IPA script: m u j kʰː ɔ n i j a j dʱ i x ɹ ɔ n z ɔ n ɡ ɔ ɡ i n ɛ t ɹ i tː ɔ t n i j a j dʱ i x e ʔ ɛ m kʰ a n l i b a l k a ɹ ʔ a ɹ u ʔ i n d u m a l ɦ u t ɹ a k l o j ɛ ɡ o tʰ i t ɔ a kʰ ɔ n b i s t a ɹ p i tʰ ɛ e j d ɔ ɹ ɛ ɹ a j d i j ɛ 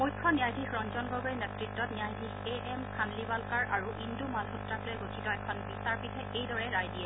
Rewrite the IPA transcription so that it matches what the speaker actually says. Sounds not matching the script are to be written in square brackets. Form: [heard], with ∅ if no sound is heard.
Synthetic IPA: m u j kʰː ɔ n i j a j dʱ i x ɹ ɔ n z ɔ n ɡ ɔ ɡ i n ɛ t ɹ i tː ɔ t n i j a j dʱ i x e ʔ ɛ m kʰ a n l i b a l k a ɹ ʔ a ɹ u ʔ i n d u m a l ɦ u t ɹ a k l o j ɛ ɡ o tʰ i t ɔ [ɛ] kʰ ɔ n b i s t a ɹ p i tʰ ɛ e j d ɔ ɹ ɛ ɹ a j d i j ɛ

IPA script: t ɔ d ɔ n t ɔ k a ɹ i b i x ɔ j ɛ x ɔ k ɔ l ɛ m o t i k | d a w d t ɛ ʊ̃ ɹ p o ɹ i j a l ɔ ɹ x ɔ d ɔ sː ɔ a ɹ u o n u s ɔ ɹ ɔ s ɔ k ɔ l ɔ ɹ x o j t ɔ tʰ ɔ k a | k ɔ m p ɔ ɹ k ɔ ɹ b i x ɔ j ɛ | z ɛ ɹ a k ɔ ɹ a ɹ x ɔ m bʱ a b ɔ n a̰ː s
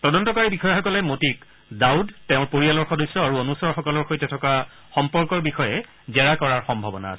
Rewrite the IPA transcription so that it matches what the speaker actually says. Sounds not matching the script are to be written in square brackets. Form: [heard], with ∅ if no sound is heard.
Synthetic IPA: t ɔ d ɔ n t ɔ k a ɹ i b i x ɔ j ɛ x ɔ k ɔ l ɛ m o t i k | d a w d t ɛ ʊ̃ ɹ p o ɹ i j a l ɔ ɹ x ɔ d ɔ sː ɔ a ɹ u o n u s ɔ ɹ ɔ [x] ɔ k ɔ l ɔ ɹ x o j t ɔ tʰ ɔ k a | [x] ɔ m p ɔ ɹ k ɔ ɹ b i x ɔ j ɛ | z ɛ ɹ a k ɔ ɹ a ɹ x ɔ m bʱ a b ɔ n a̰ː s

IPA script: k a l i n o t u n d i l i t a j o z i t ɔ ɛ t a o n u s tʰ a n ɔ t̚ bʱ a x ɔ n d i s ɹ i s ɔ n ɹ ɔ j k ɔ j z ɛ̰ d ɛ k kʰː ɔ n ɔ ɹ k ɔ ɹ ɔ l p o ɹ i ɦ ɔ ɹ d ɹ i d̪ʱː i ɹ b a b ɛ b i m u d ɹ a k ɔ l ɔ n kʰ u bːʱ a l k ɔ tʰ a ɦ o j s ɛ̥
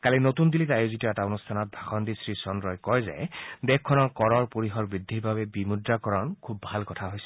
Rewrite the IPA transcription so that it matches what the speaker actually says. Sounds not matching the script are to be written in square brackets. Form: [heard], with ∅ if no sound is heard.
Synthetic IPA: k a l i n o t u n d i l i t a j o z i t ɔ ɛ t a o n u s tʰ a n ɔ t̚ bʱ a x ɔ n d i s ɹ i s ɔ n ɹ ɔ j k ɔ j z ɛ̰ d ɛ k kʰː ɔ n ɔ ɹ k ɔ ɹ ɔ [ɹ] p o ɹ i ɦ ɔ ɹ [b] ɹ i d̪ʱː i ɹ b a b ɛ b i m u d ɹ a k ɔ [ɹ] ɔ n kʰ u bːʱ a l k ɔ tʰ a ɦ o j s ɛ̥

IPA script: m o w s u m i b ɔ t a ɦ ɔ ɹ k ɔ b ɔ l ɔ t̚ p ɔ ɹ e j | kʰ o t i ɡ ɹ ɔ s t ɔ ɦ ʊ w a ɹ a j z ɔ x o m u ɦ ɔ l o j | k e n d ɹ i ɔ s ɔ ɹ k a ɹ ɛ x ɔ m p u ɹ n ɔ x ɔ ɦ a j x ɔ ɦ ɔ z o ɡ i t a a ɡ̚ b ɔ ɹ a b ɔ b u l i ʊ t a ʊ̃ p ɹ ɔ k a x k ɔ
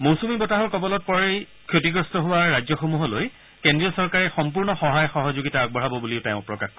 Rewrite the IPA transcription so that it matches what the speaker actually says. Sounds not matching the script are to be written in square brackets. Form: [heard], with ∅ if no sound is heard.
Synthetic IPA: m o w s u m i b ɔ t a ɦ ɔ ɹ k ɔ b ɔ l ɔ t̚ p ɔ ɹ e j | kʰ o t i ɡ ɹ ɔ s t ɔ ɦ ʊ w a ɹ a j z ɔ x o m u ɦ ɔ l o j | k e n d ɹ i ɔ s ɔ ɹ k a ɹ ɛ x ɔ m p u ɹ n ɔ x ɔ ɦ a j x ɔ ɦ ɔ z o ɡ i t a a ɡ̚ b ɔ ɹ a b ɔ b u l i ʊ t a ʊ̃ p ɹ ɔ k a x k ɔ

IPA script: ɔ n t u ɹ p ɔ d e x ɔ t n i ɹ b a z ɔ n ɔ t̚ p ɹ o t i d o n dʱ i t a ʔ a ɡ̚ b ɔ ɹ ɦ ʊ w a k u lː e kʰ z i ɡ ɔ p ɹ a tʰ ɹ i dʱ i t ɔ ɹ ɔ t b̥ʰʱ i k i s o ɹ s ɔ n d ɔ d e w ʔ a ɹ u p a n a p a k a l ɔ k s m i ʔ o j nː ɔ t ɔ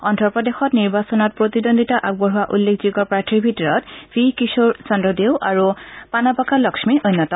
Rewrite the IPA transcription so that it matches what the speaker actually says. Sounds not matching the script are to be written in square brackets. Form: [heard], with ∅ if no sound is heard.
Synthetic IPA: ɔ n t [ɔ] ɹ p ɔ d e x ɔ t n i ɹ b a [s] ɔ n ɔ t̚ p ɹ o t i d o n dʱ i t a ʔ a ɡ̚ b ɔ ɹ ɦ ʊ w a [ʔ] u lː e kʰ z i ɡ ɔ p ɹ a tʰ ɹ i [bʱ] i t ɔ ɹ ɔ t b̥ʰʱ i k i s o ɹ s ɔ n d ɔ d e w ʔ a ɹ u p a n a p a k a l ɔ k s m i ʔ o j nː ɔ t ɔ

